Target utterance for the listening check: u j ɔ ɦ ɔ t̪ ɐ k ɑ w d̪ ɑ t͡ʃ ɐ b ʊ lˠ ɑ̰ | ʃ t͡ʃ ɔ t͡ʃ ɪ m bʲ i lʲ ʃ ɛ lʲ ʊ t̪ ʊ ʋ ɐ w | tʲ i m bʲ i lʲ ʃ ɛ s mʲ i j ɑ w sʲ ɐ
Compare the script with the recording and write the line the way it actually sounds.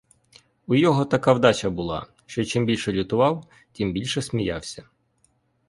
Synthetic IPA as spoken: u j ɔ ɦ ɔ t̪ ɐ k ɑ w d̪ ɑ t͡ʃ ɐ b ʊ lˠ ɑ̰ | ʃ t͡ʃ ɔ t͡ʃ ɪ m bʲ i lʲ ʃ ɛ lʲ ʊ t̪ ʊ ʋ ɑ w | tʲ i m bʲ i lʲ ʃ ɛ s mʲ i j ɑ w sʲ ɐ